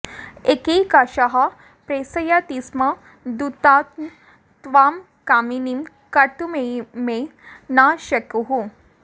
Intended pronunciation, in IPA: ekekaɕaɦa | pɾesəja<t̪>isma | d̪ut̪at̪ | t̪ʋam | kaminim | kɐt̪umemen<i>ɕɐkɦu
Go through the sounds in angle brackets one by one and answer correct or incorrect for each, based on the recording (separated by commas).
correct, incorrect